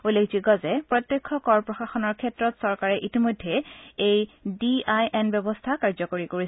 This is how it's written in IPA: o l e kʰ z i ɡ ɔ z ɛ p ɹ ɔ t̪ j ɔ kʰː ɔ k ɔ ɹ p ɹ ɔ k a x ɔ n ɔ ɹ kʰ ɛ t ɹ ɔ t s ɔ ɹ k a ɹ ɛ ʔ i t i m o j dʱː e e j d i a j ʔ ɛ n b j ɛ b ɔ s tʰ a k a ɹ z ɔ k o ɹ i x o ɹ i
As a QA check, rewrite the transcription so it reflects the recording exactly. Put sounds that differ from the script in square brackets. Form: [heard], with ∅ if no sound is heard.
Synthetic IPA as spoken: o l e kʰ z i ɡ ɔ z ɛ p ɹ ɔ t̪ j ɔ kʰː ɔ k ɔ ɹ p ɹ ɔ [x] a x ɔ n ɔ ɹ kʰ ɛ t ɹ ɔ t s ɔ ɹ k a ɹ ɛ ʔ i t i m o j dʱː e e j d i a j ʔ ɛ n b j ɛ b ɔ s tʰ a k a ɹ z ɔ k o ɹ i [k] o ɹ i